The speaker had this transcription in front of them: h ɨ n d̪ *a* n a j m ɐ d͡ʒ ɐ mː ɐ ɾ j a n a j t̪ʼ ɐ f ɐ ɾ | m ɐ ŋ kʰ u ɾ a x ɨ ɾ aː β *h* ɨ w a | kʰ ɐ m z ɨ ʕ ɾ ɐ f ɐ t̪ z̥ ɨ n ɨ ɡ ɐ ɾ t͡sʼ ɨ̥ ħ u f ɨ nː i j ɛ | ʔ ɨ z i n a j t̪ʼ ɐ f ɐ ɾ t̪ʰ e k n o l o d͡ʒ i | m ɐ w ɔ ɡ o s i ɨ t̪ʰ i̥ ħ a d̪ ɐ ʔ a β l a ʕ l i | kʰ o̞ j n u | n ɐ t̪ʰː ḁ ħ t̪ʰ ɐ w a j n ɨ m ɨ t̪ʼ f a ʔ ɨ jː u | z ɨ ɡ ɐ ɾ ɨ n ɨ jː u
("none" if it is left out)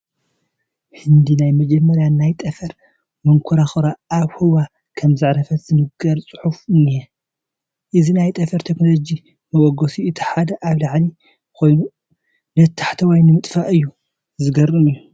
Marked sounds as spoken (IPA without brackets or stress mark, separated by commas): i, h